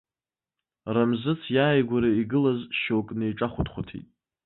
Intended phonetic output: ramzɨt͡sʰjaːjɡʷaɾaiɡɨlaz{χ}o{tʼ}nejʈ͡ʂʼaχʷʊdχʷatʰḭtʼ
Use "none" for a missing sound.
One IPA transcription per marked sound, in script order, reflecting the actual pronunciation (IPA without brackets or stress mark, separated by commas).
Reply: ʃ, kʼ